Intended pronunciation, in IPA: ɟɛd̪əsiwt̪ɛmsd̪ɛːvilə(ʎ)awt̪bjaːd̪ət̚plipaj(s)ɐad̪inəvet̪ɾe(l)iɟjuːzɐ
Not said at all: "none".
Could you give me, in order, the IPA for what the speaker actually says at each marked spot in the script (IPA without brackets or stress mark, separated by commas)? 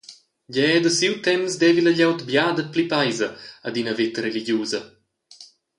ʎ, z, l